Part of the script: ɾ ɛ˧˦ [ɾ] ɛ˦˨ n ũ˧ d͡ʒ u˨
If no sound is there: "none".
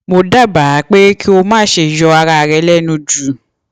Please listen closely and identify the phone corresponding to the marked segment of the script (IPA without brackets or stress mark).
l